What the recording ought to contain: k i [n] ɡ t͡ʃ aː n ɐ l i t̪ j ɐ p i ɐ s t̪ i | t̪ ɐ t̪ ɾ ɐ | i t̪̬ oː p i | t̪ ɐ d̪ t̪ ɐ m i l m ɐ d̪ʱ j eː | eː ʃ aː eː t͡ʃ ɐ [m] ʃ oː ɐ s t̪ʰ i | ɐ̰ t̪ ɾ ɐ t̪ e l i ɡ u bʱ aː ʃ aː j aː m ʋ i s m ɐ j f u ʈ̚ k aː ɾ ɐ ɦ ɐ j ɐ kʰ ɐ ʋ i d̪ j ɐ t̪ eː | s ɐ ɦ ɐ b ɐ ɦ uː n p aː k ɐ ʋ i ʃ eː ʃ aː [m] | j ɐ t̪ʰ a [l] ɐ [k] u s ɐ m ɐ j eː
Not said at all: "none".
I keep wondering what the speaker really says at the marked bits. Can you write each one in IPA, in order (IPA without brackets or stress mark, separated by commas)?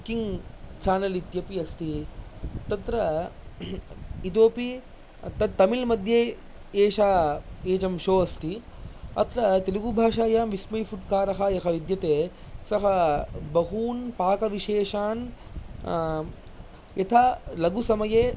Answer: ŋ, m, n, l, ɡ